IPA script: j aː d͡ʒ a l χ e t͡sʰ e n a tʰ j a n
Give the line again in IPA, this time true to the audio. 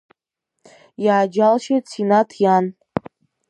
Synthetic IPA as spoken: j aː d͡ʒ a l ʃ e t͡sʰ i n a tʰ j a n